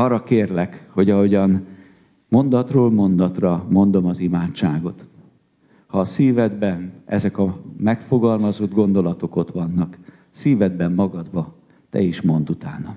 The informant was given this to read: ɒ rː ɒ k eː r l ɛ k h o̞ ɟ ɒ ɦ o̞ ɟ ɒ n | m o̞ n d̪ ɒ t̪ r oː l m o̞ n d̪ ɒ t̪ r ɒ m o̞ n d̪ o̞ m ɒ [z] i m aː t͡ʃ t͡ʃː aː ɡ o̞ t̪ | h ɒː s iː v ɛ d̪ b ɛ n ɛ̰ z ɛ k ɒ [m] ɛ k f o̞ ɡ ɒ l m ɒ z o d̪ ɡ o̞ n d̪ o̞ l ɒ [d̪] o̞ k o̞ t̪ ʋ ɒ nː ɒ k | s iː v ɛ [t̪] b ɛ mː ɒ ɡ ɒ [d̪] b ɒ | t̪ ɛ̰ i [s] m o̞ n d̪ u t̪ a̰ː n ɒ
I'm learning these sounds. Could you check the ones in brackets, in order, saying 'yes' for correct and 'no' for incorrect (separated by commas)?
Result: yes, yes, no, no, yes, no